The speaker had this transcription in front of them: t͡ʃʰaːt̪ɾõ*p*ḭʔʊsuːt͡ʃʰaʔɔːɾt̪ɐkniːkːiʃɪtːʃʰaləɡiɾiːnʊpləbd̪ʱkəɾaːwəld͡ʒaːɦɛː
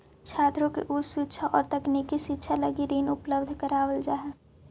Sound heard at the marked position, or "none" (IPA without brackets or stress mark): k